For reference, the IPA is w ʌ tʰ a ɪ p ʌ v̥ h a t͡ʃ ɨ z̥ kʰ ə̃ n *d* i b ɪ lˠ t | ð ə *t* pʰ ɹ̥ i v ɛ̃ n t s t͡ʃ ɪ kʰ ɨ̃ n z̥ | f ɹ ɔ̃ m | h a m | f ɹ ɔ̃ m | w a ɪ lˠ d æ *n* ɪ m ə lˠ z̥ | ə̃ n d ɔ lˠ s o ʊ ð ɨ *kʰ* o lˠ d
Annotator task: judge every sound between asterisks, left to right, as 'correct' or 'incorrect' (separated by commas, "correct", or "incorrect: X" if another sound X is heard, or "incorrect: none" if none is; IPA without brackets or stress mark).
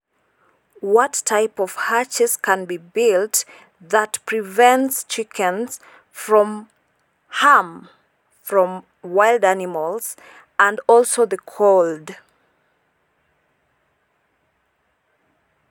incorrect: b, correct, correct, correct